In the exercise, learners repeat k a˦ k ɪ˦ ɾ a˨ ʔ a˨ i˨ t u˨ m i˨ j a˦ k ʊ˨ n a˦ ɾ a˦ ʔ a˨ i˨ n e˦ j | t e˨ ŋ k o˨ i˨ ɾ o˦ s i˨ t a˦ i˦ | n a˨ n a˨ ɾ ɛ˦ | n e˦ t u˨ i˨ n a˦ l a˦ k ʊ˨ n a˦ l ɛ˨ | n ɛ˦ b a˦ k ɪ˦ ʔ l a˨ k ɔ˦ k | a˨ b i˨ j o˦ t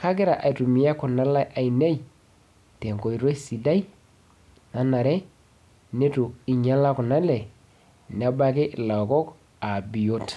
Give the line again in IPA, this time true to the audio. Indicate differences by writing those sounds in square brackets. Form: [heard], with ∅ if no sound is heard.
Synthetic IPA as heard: k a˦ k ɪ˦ ɾ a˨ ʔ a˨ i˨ t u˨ m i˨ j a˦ k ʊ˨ n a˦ [l] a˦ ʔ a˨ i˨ n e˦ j | t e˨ ŋ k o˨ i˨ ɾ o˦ s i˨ [d] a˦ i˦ | n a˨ n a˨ ɾ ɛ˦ | n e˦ t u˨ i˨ [ɲ] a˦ l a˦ k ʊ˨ n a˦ l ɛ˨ | n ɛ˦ b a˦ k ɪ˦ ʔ l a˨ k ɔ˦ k | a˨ b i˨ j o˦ t